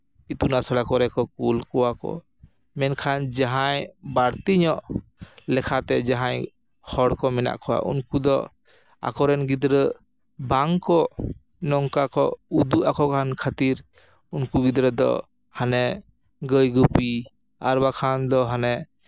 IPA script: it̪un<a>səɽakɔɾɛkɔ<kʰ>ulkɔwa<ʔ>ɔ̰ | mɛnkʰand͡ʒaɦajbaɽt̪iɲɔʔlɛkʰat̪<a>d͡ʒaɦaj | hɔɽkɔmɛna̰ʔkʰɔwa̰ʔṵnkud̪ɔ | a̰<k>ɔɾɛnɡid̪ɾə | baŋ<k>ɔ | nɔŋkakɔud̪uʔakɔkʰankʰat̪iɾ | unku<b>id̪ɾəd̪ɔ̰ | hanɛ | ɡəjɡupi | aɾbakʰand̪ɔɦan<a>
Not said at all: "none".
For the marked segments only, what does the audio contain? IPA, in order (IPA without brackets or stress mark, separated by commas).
a, k, k, ɛ, k, k, ɡ, ɛ